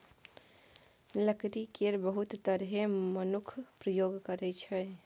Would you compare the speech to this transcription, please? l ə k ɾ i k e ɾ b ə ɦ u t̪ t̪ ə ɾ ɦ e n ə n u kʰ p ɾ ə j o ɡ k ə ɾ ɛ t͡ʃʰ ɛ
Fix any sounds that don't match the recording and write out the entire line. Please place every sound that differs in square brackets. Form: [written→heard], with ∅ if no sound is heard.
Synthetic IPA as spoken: l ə k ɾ i k e ɾ b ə ɦ u t̪ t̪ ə ɾ ɦ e [n→m] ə n u kʰ p ɾ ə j o ɡ k ə ɾ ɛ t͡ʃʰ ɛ